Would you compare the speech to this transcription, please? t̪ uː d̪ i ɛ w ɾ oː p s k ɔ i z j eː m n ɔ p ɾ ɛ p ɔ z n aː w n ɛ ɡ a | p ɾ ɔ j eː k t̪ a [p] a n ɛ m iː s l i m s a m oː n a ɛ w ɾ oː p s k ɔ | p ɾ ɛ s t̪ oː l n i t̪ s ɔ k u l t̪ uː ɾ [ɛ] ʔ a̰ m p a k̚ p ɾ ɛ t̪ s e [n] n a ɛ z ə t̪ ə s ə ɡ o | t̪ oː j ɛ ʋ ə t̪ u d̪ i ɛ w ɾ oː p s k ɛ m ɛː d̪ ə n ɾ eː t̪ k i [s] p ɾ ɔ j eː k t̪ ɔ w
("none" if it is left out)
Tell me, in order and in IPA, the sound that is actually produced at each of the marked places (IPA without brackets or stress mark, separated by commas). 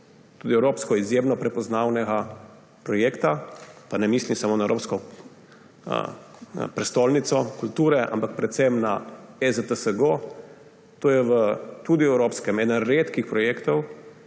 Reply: p, ɛ, m, x